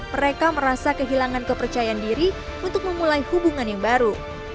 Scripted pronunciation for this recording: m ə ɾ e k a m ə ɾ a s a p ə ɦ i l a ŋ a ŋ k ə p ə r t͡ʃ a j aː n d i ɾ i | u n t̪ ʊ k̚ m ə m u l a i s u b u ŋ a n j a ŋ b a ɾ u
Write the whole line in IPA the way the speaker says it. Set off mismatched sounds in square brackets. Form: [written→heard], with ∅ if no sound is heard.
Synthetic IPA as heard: m ə ɾ e k a m ə ɾ a s a [p→k] ə ɦ i l a ŋ a [ŋ→n] k ə p ə r t͡ʃ a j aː n d i ɾ i | u n t̪ ʊ k̚ m ə m u l a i [s→h] u b u ŋ a n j a ŋ b a ɾ u

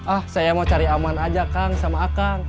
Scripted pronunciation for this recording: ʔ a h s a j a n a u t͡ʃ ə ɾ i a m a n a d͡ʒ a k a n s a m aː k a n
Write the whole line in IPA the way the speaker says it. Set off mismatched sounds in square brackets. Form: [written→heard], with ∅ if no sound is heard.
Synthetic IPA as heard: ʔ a h s a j a [n→m] a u t͡ʃ [ə→a] ɾ i a m a n a d͡ʒ a k a [n→ŋ] s a m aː k a [n→ŋ]

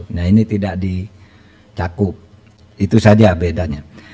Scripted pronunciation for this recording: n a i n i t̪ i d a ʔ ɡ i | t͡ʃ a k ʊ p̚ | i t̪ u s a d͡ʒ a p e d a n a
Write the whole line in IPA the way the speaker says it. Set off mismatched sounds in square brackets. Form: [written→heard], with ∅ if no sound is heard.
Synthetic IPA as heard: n a i n i t̪ i d a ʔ [ɡ→d] i | t͡ʃ a k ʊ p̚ | i t̪ u s a d͡ʒ a [p→b] e d a [n→ɲ] a

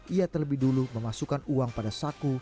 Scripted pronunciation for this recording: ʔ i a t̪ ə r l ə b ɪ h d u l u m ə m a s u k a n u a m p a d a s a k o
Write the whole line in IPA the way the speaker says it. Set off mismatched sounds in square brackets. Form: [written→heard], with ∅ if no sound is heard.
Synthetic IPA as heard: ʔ i a t̪ ə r l ə b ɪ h d u l u m ə m a s u k a n u a [m→ŋ] p a d a s a k [o→u]

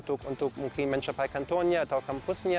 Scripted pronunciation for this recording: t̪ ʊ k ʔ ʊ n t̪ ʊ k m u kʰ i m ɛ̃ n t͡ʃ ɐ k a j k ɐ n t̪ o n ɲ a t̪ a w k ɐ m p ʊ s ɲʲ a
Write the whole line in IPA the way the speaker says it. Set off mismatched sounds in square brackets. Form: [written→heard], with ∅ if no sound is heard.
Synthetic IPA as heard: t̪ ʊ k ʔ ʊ n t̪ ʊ k m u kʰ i m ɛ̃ n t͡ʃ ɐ [k→p] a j k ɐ n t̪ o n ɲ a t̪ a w k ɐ m p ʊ s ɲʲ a

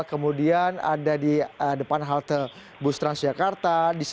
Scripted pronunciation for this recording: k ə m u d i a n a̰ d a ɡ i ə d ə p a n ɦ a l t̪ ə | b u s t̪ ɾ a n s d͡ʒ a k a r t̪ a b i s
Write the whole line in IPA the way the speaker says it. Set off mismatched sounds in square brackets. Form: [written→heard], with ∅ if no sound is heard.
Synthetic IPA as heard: k ə m u d i a n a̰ d a [ɡ→d] i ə d ə p a n ɦ a l t̪ ə | b u s t̪ ɾ a n s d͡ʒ a k a r t̪ a [b→d] i s

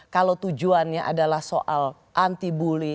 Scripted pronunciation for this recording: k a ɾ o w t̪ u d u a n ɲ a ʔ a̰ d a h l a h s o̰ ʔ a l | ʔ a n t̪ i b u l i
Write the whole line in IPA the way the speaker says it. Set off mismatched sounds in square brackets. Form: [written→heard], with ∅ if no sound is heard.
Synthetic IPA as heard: k a [ɾ→l] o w t̪ u [d→d͡ʒ] u a n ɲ a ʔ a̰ d a [h→∅] l a h s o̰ ʔ a l | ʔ a n t̪ i b u l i

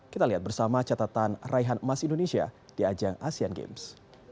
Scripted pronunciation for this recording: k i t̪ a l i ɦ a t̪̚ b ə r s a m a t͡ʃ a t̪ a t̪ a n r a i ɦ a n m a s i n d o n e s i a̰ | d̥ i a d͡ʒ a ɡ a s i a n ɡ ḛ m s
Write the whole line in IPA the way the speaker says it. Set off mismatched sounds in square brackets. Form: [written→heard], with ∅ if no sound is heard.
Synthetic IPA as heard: k i t̪ a l i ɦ a t̪̚ b ə r s a m a t͡ʃ a t̪ a t̪ a n r a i ɦ a n m a s i n d o n e s i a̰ | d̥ i a d͡ʒ a [ɡ→ŋ] a s i a n ɡ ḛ m s

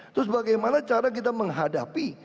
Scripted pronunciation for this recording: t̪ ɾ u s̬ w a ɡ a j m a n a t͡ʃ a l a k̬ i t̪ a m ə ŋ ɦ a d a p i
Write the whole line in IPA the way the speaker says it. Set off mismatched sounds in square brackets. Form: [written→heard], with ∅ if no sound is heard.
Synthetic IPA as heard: t̪ ɾ [u→ʊ] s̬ [w→b] a ɡ a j m a n a t͡ʃ a [l→ɾ] a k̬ i t̪ a m ə ŋ ɦ a d a p i

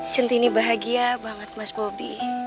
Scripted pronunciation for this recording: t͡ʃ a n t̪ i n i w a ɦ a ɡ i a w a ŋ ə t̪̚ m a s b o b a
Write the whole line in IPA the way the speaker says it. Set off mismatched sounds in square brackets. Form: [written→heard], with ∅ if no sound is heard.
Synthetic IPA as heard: t͡ʃ [a→ə] n t̪ i n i [w→b] a ɦ a ɡ i a [w→b] a ŋ ə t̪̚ m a s b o b [a→i]

